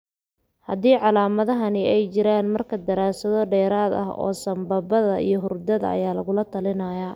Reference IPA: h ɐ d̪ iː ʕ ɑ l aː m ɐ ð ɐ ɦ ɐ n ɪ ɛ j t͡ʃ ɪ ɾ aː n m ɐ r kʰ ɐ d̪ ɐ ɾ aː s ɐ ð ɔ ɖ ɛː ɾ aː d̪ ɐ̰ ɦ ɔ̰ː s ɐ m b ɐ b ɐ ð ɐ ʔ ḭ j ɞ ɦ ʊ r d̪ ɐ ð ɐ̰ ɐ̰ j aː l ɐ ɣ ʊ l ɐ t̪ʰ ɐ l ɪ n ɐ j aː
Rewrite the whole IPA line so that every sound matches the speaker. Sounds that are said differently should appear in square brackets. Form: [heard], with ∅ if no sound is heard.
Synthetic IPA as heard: h ɐ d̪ iː ʕ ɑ l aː m ɐ ð ɐ ɦ ɐ n ɪ ɛ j t͡ʃ ɪ ɾ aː n m ɐ r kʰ ɐ d̪ ɐ ɾ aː s ɐ ð ɔ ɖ ɛː ɾ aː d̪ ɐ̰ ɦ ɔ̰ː s ɐ m b ɐ b ɐ ð ɐ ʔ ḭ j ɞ ɦ ʊ r d̪ ɐ ð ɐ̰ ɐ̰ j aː l ɐ ɣ ʊ l ɐ t̪ʰ ɐ l ɪ n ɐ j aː

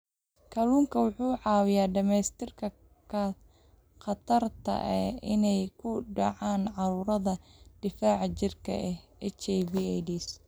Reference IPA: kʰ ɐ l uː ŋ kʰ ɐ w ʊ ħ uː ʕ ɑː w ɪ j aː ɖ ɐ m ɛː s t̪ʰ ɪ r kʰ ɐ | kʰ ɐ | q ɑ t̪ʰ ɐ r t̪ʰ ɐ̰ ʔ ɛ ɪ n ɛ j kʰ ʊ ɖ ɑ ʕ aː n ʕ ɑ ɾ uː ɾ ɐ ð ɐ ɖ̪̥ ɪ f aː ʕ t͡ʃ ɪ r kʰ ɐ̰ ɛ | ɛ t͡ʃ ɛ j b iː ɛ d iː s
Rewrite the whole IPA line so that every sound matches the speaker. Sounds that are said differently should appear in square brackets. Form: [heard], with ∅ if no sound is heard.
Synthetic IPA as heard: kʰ ɐ l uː ŋ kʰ ɐ w ʊ ħ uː ʕ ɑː w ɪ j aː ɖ ɐ m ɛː s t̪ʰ ɪ r kʰ ɐ | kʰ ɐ | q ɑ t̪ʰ ɐ r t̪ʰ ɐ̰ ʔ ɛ ɪ n ɛ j kʰ ʊ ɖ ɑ ʕ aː n ʕ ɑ ɾ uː ɾ ɐ ð ɐ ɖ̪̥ ɪ f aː ʕ t͡ʃ ɪ r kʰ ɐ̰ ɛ | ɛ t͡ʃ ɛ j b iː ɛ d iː s

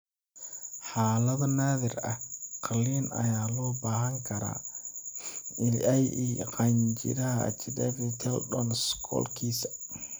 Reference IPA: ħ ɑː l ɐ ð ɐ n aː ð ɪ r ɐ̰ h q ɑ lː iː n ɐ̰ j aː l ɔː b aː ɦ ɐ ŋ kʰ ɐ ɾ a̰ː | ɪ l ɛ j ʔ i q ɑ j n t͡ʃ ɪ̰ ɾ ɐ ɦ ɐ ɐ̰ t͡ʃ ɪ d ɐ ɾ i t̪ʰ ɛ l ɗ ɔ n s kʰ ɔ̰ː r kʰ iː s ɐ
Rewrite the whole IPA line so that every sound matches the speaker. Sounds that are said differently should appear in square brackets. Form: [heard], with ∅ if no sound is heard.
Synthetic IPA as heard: ħ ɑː l ɐ ð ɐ n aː ð ɪ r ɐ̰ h q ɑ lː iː n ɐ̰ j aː l ɔː b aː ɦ ɐ ŋ kʰ ɐ ɾ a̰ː | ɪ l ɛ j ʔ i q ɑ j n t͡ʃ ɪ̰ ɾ ɐ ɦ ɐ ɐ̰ t͡ʃ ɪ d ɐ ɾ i t̪ʰ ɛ l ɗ ɔ n s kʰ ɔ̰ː [l] kʰ iː s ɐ

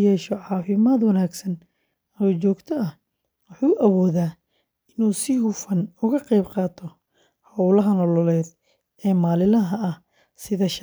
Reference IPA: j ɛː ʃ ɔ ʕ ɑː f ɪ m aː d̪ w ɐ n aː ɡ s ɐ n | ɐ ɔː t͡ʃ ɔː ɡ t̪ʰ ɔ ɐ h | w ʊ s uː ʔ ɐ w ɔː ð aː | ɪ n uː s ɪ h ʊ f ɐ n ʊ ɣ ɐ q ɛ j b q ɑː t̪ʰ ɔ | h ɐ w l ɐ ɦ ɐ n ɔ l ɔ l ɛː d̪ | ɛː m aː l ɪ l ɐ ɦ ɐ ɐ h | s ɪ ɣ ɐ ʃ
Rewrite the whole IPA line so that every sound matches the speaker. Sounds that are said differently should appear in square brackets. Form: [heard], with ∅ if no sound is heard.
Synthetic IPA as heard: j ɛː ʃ ɔ ʕ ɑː f ɪ m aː d̪ w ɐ n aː ɡ s ɐ n | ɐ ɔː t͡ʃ ɔː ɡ t̪ʰ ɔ ɐ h | w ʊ [ħ] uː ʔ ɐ w ɔː ð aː | ɪ n uː s ɪ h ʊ f ɐ n ʊ ɣ ɐ q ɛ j b q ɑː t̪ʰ ɔ | h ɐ w l ɐ ɦ ɐ n ɔ l ɔ l ɛː d̪ | ɛː m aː l ɪ l ɐ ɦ ɐ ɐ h | s ɪ [ð] ɐ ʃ

